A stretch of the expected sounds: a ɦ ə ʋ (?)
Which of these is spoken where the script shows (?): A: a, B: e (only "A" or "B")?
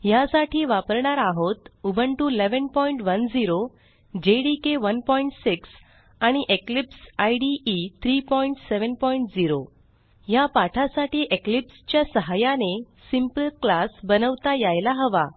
A